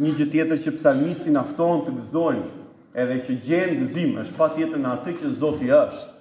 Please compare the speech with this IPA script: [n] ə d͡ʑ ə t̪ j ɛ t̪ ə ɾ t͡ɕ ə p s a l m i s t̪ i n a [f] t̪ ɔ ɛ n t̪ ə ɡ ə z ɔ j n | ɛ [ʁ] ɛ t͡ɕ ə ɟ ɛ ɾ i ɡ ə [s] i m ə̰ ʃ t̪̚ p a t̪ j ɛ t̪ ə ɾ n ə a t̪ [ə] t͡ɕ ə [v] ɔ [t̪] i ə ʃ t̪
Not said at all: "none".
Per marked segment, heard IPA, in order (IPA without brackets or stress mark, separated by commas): ɲ, f, ð, z, ə, z, t̪